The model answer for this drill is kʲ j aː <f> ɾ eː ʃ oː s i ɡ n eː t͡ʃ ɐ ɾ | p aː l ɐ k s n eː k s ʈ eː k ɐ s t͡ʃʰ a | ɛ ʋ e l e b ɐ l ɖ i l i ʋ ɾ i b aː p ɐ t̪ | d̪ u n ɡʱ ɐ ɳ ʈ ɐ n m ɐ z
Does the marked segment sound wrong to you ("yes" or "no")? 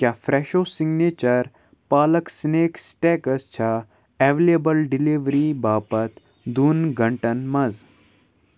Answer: no